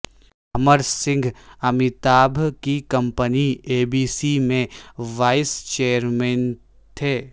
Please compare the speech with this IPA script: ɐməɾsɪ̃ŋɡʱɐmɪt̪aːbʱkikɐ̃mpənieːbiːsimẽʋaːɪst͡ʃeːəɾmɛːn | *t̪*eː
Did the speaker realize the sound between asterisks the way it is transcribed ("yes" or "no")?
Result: no